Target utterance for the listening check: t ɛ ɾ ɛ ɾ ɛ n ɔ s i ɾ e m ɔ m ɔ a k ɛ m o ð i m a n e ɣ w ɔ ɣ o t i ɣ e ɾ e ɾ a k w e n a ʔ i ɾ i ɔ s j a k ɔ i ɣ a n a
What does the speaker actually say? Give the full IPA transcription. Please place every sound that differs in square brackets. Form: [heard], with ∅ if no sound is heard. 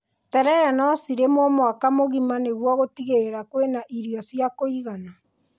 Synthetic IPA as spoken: t ɛ ɾ ɛ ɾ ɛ n ɔ s i ɾ e m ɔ m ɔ a k [a] m o [ɣ] i m a n e ɣ w ɔ ɣ o t i ɣ e ɾ e ɾ a k w e n a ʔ i ɾ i ɔ s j a k [o] i ɣ a n a